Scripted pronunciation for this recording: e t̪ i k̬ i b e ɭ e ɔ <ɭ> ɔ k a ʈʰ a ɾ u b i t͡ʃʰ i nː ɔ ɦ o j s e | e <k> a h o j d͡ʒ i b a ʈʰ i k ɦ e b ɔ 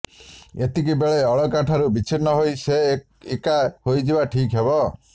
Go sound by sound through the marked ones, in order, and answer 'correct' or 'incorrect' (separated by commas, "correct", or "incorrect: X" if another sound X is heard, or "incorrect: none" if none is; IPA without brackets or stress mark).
correct, correct